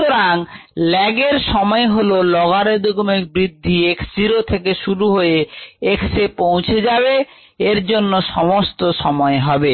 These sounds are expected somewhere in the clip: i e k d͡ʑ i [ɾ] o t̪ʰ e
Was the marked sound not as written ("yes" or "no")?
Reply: no